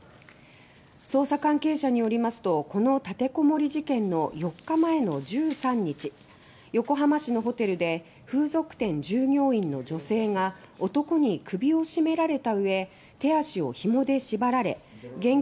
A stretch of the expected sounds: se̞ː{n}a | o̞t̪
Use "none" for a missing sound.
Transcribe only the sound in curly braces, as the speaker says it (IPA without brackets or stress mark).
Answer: ŋ